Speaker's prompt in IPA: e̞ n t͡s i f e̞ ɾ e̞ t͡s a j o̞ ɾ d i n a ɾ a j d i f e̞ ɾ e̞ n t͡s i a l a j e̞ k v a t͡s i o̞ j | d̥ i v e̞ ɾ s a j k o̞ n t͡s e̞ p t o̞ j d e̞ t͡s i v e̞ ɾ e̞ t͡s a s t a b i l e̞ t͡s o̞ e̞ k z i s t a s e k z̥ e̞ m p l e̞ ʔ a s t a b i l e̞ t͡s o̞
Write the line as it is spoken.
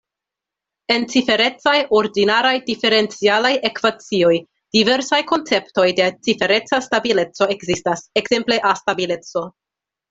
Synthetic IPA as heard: e̞ n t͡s i f e̞ ɾ e̞ t͡s a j o̞ ɾ d i n a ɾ a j d i f e̞ ɾ e̞ n t͡s i a l a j e̞ k v a t͡s i o̞ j | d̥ i v e̞ ɾ s a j k o̞ n t͡s e̞ p t o̞ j d e̞ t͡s i f e̞ ɾ e̞ t͡s a s t a b i l e̞ t͡s o̞ e̞ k z i s t a s e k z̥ e̞ m p l e̞ ʔ a s t a b i l e̞ t͡s o̞